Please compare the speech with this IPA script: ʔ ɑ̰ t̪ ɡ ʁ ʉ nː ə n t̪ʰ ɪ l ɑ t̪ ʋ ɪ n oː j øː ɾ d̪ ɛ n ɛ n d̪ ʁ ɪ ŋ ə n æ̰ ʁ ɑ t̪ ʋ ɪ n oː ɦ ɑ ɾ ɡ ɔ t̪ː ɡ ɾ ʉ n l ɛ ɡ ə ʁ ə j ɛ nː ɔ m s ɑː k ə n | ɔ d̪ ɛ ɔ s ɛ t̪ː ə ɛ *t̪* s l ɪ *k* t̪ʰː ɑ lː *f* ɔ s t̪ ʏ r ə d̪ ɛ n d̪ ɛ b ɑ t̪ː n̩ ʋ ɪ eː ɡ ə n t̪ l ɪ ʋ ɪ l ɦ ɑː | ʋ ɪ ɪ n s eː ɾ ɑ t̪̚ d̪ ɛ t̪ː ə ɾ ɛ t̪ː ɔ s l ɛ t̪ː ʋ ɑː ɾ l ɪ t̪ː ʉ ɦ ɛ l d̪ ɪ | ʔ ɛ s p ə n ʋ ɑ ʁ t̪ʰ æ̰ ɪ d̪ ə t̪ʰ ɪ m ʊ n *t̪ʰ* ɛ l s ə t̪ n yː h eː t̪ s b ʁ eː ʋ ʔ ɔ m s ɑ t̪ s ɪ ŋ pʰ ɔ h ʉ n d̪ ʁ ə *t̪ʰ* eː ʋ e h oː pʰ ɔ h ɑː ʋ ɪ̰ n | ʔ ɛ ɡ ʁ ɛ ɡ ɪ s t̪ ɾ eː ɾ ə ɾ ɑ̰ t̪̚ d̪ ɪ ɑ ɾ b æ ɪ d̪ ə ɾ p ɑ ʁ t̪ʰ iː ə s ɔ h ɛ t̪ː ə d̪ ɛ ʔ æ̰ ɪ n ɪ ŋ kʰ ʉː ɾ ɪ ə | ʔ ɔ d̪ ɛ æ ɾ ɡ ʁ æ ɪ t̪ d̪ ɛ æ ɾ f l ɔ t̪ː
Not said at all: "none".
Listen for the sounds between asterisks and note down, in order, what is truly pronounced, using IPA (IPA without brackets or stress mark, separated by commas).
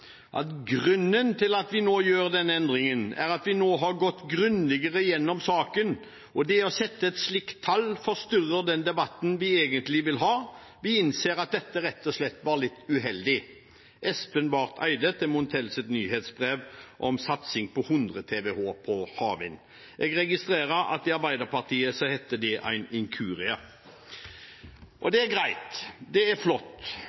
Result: t̪, k, f, t̪ʰ, t̪ʰ